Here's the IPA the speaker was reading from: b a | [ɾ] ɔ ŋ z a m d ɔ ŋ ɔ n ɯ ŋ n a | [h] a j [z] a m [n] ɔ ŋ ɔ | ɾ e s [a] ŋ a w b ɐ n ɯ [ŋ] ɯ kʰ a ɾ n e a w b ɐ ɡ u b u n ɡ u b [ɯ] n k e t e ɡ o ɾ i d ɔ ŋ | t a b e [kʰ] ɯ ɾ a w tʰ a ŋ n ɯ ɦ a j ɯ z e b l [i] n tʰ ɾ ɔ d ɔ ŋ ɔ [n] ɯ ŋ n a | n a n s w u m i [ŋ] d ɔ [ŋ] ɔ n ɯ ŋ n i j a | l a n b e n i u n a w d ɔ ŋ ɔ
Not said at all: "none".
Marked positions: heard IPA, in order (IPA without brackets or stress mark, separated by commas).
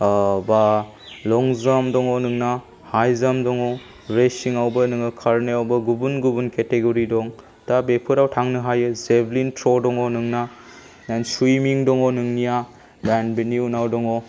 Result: l, h, z, d, i, ŋ, u, pʰ, i, n, ŋ, ŋ